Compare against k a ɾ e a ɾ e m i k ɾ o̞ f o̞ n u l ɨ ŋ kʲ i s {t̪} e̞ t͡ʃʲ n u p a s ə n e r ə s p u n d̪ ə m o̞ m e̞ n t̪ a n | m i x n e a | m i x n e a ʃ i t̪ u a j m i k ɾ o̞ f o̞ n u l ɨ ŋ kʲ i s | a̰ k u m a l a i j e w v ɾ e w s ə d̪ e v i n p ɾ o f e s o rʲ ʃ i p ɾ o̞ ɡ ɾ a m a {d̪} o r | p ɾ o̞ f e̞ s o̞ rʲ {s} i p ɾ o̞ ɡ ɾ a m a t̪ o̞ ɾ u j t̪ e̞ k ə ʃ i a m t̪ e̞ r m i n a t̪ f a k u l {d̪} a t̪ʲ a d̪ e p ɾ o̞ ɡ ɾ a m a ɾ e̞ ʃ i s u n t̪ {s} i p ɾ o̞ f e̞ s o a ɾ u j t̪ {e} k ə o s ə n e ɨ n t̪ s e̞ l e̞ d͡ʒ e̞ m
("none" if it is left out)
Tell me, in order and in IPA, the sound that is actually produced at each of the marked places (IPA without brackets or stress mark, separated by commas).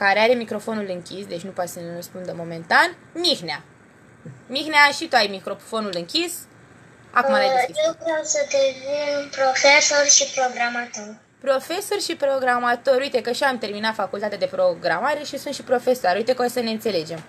d̪, t̪, ʃ, t̪, ʃ, e